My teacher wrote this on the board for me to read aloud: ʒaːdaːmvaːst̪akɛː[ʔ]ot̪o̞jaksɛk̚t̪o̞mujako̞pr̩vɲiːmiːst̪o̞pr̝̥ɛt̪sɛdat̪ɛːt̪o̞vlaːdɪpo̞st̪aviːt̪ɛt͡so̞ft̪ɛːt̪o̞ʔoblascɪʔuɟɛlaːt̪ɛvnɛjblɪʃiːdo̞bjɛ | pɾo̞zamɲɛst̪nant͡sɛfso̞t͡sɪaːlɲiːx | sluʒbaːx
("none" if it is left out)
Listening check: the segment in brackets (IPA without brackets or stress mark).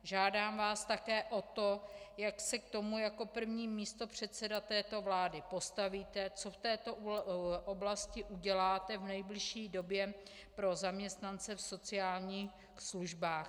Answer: ʔ